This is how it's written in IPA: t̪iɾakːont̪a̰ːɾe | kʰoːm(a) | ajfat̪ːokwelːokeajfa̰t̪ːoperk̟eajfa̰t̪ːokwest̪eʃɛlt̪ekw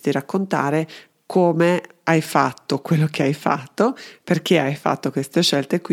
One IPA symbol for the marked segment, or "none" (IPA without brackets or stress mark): e